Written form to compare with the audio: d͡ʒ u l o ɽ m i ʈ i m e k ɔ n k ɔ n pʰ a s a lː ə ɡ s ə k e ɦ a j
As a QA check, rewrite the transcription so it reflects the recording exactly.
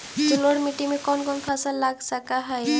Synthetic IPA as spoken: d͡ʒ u l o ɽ m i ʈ i m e k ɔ n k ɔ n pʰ a s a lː a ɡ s a k a ɦ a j